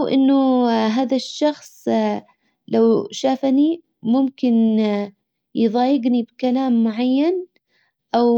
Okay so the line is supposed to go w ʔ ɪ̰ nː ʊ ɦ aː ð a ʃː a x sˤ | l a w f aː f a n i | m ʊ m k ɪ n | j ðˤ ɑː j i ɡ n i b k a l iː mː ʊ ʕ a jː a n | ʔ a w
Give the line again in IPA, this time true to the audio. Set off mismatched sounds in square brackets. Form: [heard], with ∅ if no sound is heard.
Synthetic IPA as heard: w ʔ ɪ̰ nː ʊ ɦ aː ð a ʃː [ɑ] x sˤ | l a w [ʃ] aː f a n i | m ʊ m k ɪ n | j ðˤ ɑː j [ɪ] ɡ n i b k a l [aː] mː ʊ ʕ a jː a n | ʔ a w